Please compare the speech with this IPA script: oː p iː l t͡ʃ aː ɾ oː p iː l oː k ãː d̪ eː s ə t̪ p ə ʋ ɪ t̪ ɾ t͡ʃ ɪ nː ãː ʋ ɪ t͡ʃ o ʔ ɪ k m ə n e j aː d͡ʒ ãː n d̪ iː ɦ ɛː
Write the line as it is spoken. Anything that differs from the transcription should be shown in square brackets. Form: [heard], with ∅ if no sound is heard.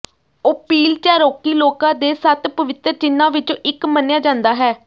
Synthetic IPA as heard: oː p iː l t͡ʃ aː ɾ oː [k] iː l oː k ãː d̪ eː s ə t̪ p ə ʋ ɪ t̪ ɾ t͡ʃ ɪ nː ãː ʋ ɪ t͡ʃ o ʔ ɪ k m ə n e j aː d͡ʒ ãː n d̪ [aː] ɦ ɛː